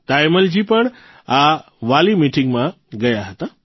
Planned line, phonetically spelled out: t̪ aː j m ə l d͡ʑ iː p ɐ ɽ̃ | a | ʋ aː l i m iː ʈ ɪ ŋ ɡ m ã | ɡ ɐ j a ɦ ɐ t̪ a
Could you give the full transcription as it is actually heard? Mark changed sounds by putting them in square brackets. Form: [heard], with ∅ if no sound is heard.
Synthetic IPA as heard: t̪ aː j m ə l d͡ʑ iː p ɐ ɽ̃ | a | ʋ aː l i m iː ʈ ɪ ŋ ɡ m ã | ɡ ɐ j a ɦ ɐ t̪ a